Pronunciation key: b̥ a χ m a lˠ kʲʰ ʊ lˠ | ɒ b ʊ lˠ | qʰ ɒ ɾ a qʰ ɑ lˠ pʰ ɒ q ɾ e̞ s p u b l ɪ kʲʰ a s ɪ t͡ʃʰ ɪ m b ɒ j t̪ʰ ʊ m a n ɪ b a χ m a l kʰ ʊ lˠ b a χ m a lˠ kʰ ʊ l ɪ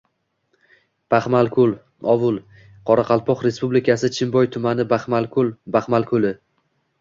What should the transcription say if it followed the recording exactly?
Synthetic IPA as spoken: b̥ a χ m a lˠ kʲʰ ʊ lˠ | ɒ v ʊ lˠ | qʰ ɒ ɾ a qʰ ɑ lˠ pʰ ɒ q ɾ e̞ s p u b l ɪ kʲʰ a s ɪ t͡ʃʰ ɪ m b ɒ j t̪ʰ ʊ m a n ɪ b a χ m a l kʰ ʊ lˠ b a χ m a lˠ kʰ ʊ l ɪ